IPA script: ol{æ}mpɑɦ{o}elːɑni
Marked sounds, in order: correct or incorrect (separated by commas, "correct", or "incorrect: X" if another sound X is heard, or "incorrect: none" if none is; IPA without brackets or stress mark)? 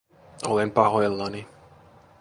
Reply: incorrect: e, correct